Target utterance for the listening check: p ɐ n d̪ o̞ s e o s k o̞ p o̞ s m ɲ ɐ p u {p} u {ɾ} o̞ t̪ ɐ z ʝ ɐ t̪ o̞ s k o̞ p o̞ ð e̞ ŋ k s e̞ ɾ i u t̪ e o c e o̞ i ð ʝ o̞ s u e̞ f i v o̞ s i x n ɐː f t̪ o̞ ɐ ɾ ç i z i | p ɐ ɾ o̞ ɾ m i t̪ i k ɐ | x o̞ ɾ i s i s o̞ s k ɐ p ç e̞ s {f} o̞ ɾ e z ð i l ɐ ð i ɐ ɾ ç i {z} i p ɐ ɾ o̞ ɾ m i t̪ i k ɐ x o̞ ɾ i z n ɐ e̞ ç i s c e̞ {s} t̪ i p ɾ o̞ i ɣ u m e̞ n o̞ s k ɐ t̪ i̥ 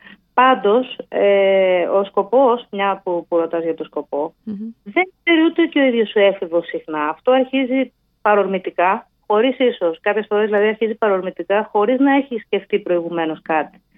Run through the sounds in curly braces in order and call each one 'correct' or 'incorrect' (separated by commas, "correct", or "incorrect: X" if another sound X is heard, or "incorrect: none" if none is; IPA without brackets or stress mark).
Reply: correct, correct, correct, correct, incorrect: f